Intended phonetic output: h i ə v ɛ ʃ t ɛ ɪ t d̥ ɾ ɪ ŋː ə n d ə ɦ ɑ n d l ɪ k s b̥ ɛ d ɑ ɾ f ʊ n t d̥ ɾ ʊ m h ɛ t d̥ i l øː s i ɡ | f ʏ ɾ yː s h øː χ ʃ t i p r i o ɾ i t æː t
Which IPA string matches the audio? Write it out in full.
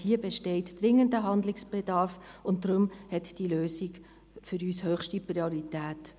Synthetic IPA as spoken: h i ə b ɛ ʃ t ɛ ɪ t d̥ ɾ ɪ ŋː ə n d ə ɦ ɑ n d l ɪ k s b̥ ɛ d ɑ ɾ f ʊ n t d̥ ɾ ʊ m h ɛ t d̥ i l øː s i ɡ | f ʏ ɾ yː s h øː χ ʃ t i p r i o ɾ i t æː t